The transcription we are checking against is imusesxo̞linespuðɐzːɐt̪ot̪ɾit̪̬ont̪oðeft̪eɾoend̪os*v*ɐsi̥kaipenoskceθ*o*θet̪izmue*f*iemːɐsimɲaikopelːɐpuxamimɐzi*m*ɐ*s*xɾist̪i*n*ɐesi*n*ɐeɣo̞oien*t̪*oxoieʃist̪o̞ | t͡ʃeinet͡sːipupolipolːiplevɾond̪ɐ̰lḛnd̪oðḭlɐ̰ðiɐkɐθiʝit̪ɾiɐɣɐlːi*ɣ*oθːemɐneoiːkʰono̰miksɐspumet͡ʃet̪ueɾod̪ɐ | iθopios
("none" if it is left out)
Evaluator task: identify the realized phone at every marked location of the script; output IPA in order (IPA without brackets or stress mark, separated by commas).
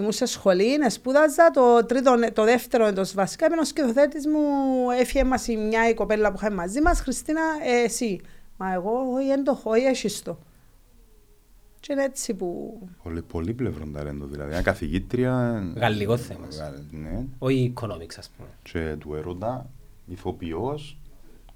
v, o, f, m, s, n, m, d̪, ɣ